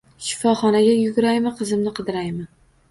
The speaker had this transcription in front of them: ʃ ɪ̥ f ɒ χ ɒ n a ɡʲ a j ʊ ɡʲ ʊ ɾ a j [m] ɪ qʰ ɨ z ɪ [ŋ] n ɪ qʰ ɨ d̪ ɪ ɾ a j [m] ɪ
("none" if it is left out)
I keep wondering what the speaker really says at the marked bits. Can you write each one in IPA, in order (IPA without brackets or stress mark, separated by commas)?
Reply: m, m, m